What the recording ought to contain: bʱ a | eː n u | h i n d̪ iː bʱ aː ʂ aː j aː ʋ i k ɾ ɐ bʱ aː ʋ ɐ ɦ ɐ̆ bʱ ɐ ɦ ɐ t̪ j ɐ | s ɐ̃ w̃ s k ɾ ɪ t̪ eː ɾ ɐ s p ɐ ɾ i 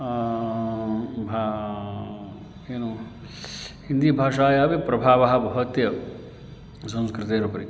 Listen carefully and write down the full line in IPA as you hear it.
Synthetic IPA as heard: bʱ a | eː n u | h i n d̪ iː bʱ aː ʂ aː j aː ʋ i p ɾ ɐ bʱ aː ʋ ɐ ɦ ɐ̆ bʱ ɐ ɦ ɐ t̪ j ɐ | s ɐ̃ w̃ s k ɾ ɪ t̪ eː ɾ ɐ p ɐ ɾ i

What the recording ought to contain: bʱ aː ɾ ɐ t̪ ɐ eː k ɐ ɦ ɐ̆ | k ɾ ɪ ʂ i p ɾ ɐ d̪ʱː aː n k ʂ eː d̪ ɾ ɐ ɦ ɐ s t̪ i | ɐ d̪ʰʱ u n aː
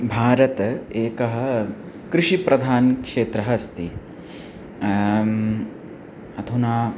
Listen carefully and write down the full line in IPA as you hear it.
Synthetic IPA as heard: bʱ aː ɾ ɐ t̪ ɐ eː k ɐ ɦ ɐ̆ | k ɾ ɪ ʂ i p ɾ ɐ d̪ʱ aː n k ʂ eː t̪ ɾ ɐ ɦ ɐ s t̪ i | ɐ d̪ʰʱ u n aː

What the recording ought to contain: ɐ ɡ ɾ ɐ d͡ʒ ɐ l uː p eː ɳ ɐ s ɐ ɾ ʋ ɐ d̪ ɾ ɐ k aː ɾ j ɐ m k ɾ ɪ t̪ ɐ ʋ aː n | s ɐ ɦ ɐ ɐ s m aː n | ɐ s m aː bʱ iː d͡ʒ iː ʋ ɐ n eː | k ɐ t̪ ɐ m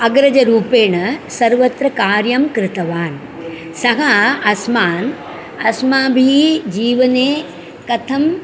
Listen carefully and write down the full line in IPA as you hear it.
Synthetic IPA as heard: ɐ ɡ ɾ ɐ d͡ʒ ɐ ɾ uː p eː ɳ ɐ s ɐ ɾ ʋ ɐ t̪ ɾ ɐ k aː ɾ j ɐ m k ɾ ɪ t̪ ɐ ʋ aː n | s ɐ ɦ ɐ ɐ s m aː n | ɐ s m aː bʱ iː d͡ʒ iː ʋ ɐ n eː | k ɐ t̪ʰ ɐ m

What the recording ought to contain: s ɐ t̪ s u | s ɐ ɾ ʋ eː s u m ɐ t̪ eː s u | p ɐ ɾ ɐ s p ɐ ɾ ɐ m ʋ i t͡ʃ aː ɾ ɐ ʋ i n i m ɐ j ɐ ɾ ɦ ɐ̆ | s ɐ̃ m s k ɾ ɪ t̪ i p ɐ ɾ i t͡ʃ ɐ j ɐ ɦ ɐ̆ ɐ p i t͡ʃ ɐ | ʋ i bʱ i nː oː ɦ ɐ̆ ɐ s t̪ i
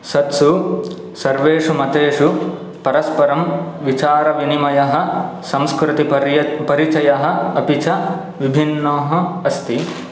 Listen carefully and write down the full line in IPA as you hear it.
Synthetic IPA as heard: s ɐ t̪ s u | s ɐ ɾ ʋ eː ʂ u m ɐ t̪ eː ʂ u | p ɐ ɾ ɐ s p ɐ ɾ ɐ m ʋ i t͡ʃ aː ɾ ɐ ʋ i n i m ɐ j ɐ ɦ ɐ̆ | s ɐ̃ m s k ɾ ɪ t̪ i p ɐ ɾ i t͡ʃ ɐ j ɐ ɦ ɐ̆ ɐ p i t͡ʃ ɐ | ʋ i bʱ i nː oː ɦ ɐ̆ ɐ s t̪ i

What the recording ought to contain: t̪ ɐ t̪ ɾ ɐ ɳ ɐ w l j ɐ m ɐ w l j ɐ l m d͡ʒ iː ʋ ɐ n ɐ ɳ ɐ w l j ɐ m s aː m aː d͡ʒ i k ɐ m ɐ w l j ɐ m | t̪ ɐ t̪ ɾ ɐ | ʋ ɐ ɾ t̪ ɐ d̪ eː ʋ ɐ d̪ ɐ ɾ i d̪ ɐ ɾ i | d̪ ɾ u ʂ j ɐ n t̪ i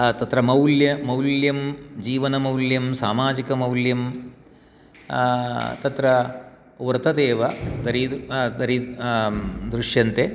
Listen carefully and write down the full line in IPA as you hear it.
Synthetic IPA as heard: t̪ ɐ t̪ ɾ ɐ m ɐ w l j ɐ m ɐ w l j ɐ m d͡ʒ iː ʋ ɐ n ɐ m ɐ w l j ɐ m s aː m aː d͡ʒ i k ɐ m ɐ w l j ɐ m | t̪ ɐ t̪ ɾ ɐ | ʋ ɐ ɾ t̪ ɐ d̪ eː ʋ ɐ d̪ ɐ ɾ i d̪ ɐ ɾ i | d̪ ɾ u ʂ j ɐ n t̪ e

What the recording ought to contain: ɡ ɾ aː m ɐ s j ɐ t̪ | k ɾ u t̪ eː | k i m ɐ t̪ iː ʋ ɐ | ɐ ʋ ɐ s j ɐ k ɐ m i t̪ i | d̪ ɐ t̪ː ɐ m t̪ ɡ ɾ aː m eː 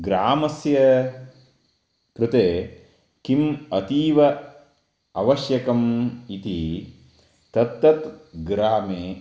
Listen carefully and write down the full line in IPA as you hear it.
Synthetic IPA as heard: ɡ ɾ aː m ɐ s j ɐ | k ɾ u t̪ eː | k i m ɐ t̪ iː ʋ ɐ | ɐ ʋ ɐ ʃ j ɐ k ɐ m i t̪ i | t̪ ɐ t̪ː ɐ t̪ ɡ ɾ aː m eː

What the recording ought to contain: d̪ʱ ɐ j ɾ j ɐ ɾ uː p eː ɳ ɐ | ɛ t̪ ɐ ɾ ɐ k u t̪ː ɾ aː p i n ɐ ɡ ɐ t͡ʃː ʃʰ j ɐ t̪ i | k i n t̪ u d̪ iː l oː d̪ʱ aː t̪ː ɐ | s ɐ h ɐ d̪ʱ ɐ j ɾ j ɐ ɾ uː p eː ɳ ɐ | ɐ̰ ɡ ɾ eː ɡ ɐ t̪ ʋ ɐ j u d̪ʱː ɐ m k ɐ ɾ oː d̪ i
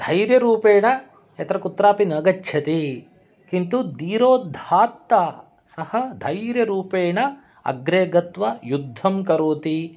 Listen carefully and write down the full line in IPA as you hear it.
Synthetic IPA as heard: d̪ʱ ɐ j ɾ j ɐ ɾ uː p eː ɳ ɐ | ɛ t̪ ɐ ɾ ɐ k u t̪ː ɾ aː p i n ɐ ɡ ɐ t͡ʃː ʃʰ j ɐ t̪ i | k i n t̪ u d̪ iː ɾ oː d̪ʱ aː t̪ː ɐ | s ɐ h ɐ d̪ʱ ɐ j ɾ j ɐ ɾ uː p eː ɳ ɐ | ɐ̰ ɡ ɾ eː ɡ ɐ t̪ ʋ ɐ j u d̪ʱː ɐ m k ɐ ɾ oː t̪ i

